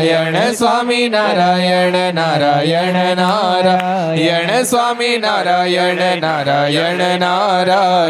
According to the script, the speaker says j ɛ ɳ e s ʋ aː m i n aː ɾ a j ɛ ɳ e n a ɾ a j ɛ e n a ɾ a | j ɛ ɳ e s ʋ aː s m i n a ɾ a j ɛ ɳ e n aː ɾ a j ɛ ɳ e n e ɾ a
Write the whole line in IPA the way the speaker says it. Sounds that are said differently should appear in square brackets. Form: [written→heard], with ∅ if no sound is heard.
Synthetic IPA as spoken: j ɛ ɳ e s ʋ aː m i n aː ɾ a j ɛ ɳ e n a ɾ a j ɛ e n a ɾ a | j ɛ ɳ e s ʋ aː [s→∅] m i n a ɾ a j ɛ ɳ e n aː ɾ a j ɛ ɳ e n [e→a] ɾ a